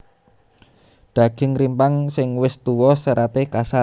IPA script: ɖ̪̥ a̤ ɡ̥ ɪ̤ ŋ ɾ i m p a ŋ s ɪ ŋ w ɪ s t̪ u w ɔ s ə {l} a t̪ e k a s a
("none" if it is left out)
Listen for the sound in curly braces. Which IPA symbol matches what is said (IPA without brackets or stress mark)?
ɾ